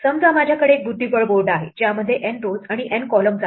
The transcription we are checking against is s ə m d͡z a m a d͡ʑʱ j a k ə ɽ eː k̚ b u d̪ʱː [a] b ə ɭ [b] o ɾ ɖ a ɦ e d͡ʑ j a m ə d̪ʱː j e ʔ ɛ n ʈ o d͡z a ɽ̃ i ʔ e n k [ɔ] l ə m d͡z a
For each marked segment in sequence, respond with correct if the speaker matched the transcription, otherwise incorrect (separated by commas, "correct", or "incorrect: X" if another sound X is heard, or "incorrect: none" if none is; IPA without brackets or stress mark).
incorrect: i, correct, correct